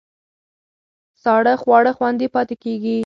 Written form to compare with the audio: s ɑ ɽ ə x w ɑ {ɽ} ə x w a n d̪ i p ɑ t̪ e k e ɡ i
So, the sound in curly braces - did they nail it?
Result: yes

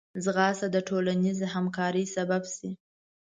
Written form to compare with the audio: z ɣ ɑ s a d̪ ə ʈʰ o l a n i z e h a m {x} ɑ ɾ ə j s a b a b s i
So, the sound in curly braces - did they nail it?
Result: no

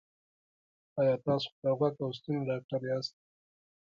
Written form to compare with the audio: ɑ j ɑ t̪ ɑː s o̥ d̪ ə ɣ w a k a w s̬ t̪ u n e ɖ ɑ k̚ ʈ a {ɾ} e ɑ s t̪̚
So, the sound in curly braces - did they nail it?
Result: yes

